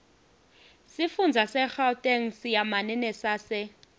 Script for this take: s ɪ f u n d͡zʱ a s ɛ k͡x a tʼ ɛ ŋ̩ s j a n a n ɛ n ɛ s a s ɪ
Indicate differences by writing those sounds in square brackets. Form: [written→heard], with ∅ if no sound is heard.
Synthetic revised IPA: s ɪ f u n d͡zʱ a s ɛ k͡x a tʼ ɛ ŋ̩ s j a [n→m] a n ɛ n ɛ s a s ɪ